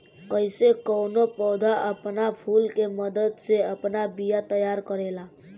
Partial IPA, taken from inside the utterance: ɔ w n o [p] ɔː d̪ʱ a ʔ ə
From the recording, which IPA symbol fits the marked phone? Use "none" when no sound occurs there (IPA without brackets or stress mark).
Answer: p